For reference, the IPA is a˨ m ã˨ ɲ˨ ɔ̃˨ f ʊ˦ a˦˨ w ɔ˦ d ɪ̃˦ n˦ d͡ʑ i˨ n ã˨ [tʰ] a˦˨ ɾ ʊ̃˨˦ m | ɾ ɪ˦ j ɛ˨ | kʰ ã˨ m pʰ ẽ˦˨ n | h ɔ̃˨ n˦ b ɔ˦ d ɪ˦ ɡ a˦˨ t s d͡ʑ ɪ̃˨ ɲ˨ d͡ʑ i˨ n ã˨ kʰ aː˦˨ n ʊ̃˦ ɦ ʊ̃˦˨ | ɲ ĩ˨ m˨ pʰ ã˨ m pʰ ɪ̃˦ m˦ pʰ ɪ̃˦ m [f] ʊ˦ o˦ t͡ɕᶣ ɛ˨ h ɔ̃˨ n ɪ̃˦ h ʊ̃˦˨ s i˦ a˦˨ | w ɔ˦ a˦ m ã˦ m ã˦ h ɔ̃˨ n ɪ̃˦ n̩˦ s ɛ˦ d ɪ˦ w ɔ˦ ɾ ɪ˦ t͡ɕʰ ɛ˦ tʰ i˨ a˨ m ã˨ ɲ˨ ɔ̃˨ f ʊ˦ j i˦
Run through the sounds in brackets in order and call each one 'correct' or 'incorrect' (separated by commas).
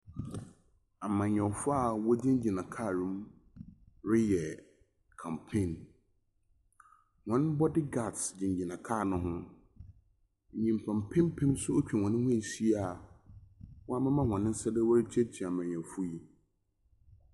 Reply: incorrect, incorrect